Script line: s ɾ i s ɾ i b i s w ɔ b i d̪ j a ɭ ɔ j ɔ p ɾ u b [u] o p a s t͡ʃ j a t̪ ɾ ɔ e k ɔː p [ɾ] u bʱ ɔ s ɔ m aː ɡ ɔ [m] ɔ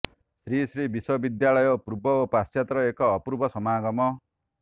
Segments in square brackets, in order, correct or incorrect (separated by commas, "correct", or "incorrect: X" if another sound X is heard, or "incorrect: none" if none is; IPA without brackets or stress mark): incorrect: ɔ, correct, correct